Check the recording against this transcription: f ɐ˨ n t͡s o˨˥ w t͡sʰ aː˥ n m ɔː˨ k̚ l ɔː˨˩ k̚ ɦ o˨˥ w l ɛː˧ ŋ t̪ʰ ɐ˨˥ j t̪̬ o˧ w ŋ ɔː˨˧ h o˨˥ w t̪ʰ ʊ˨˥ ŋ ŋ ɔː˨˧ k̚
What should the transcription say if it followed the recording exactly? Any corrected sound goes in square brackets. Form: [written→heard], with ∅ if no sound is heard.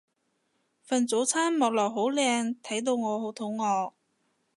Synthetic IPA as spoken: f ɐ˨ n t͡s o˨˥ w t͡sʰ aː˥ n m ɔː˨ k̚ l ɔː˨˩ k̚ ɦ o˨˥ w l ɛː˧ ŋ t̪ʰ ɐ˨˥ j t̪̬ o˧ w ŋ ɔː˨˧ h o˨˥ w t̪ʰ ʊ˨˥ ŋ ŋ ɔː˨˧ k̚